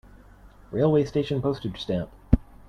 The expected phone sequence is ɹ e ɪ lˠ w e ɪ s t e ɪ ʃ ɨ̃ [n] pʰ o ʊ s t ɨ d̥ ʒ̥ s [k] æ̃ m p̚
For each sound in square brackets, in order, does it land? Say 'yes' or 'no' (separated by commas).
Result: yes, no